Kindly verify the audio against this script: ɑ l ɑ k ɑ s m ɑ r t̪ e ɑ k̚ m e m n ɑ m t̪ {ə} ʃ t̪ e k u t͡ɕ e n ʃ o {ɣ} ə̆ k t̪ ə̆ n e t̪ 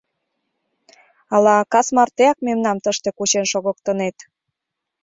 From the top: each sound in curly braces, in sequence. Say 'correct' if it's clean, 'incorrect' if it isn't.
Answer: correct, correct

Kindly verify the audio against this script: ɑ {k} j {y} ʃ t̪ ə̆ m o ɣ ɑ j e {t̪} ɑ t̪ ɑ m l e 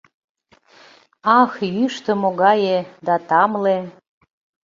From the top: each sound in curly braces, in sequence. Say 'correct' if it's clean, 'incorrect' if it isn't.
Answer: incorrect, correct, incorrect

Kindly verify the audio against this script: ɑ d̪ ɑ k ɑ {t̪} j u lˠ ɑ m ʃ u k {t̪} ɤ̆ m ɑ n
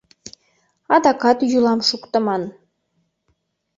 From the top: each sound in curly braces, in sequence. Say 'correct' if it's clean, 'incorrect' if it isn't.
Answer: correct, correct

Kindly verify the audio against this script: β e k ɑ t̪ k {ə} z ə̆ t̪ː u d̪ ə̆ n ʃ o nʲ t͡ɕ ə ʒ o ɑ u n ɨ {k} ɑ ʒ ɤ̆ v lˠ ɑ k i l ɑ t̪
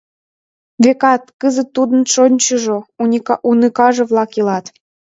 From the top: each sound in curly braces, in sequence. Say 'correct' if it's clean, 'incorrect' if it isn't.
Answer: correct, correct

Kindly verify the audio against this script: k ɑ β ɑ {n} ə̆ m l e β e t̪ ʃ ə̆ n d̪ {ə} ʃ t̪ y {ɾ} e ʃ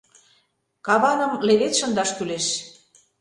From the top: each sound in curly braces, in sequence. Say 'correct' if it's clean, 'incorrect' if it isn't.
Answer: correct, incorrect, incorrect

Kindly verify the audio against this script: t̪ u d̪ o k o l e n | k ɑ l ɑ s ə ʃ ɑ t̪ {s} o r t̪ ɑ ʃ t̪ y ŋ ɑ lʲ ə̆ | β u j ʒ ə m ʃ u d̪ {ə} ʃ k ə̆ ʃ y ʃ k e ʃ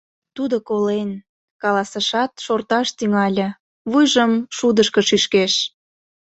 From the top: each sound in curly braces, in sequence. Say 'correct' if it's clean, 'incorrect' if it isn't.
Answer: incorrect, correct

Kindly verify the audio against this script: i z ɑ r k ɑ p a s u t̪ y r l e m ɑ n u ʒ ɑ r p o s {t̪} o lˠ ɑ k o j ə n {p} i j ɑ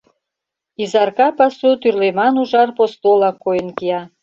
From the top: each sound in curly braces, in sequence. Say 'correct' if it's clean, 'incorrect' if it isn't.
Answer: correct, incorrect

